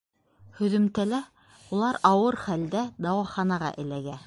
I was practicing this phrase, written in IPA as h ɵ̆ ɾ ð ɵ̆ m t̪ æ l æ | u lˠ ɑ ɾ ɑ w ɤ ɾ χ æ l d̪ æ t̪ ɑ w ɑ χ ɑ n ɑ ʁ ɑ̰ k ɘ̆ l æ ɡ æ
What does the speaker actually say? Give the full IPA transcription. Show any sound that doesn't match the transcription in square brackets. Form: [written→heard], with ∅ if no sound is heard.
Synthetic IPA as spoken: h ɵ̆ [ɾ→∅] ð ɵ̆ m t̪ æ l æ | u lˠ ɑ ɾ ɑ w ɤ ɾ χ æ l d̪ æ [t̪→d̪] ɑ w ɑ χ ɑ n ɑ ʁ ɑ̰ [k→ʔ] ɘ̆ l æ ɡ æ